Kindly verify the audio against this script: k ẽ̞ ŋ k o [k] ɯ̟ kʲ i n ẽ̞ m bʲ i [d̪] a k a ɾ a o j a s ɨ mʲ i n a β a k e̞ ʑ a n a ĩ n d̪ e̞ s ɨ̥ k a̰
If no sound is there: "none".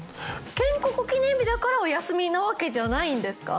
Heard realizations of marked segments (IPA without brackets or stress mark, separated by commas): k, d̪